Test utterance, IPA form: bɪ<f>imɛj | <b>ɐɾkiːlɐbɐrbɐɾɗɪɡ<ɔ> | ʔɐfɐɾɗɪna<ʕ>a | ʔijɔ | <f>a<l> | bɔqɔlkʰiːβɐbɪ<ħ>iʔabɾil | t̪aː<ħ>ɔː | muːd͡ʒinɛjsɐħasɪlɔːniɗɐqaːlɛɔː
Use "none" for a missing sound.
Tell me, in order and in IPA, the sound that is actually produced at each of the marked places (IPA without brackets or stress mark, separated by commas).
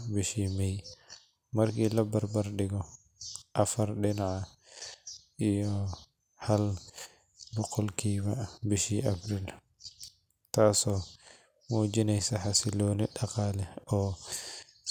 ʃ, m, ɔ, ʕ, h, l, ʃ, s